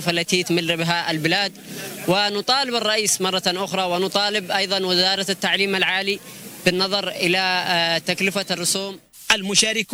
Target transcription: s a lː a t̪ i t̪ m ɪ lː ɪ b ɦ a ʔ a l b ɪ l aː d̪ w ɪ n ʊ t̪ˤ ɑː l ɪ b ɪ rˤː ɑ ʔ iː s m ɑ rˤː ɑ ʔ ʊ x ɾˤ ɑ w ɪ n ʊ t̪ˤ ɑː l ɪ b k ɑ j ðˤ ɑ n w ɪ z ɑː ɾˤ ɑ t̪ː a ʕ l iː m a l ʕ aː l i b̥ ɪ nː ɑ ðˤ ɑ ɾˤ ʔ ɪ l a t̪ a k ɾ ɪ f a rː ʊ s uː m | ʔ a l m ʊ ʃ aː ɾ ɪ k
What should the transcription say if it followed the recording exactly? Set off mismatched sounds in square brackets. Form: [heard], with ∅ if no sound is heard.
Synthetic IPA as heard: [f] a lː a t̪ i t̪ m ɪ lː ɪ b ɦ a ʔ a l b ɪ l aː d̪ w ɪ n ʊ t̪ˤ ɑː l ɪ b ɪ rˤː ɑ ʔ iː s m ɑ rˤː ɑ ʔ ʊ x ɾˤ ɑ w ɪ n ʊ t̪ˤ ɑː l ɪ b [ʔ] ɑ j ðˤ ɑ n w ɪ z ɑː ɾˤ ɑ t̪ː a ʕ l iː m a l ʕ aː l i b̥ ɪ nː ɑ ðˤ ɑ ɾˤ ʔ ɪ l a t̪ a k [l] ɪ f a rː ʊ s uː m | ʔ a l m ʊ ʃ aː ɾ ɪ k